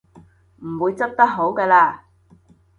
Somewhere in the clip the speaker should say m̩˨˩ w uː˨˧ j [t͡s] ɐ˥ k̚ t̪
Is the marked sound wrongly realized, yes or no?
no